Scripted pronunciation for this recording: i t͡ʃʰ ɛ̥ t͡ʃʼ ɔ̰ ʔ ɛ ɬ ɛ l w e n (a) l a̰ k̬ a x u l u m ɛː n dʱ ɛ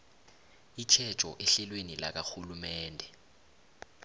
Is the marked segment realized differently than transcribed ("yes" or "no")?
yes